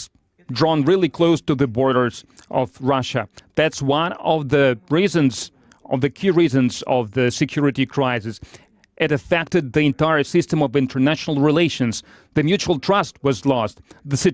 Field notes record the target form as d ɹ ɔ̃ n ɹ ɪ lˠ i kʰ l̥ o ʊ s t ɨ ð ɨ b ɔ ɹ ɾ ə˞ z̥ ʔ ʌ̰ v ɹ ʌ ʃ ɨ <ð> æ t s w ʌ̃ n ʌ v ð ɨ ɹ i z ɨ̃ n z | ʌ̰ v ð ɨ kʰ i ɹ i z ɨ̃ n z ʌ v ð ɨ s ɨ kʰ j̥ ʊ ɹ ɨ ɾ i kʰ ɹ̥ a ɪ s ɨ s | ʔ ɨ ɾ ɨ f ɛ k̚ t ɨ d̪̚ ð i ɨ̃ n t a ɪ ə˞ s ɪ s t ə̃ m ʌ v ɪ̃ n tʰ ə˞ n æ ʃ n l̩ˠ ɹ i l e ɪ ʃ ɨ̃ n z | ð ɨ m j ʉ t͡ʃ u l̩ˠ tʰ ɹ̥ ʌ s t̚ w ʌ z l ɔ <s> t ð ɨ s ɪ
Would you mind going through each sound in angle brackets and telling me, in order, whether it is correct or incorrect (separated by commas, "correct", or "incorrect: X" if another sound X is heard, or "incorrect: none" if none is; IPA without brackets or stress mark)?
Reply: correct, correct